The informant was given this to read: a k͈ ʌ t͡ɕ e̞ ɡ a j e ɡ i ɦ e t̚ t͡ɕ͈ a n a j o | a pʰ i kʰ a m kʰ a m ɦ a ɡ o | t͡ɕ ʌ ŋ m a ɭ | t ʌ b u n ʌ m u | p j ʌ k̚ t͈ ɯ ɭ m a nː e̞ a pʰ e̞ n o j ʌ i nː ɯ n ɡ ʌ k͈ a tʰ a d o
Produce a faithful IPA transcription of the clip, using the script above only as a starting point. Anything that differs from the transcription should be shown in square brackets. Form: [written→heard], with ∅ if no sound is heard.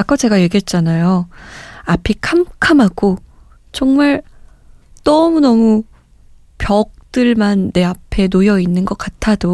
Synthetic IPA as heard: a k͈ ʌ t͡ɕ e̞ ɡ a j e ɡ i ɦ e t̚ t͡ɕ͈ a n a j o | a pʰ i kʰ a m kʰ a m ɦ a ɡ o | t͡ɕ ʌ ŋ m a ɭ | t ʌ [b→m] u n ʌ m u | p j ʌ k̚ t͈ ɯ ɭ m a nː e̞ a pʰ e̞ n o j ʌ i nː ɯ n ɡ ʌ k͈ a tʰ a d o